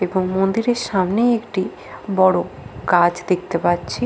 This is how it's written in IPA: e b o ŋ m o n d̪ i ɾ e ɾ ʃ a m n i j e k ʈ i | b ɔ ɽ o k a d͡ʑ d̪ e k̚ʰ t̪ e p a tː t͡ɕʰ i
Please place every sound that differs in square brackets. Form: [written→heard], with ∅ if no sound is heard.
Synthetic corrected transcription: e b o ŋ m o n d̪ i ɾ e ɾ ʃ a m n [i→e] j e k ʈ i | b ɔ ɽ o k a d͡ʑ d̪ e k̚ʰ t̪ e p a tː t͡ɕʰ i